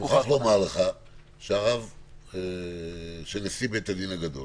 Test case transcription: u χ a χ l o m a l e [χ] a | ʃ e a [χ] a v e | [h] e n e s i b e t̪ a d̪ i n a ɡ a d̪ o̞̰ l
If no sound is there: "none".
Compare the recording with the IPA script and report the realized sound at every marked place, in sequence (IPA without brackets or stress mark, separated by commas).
χ, ʁ, ʃ